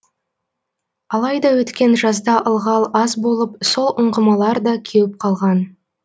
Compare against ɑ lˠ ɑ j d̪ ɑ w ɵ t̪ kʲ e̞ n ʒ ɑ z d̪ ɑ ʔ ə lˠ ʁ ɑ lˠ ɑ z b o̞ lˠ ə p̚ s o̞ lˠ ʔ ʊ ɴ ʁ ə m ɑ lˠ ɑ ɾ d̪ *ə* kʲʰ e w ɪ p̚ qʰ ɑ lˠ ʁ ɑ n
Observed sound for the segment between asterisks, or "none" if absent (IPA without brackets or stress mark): ɑ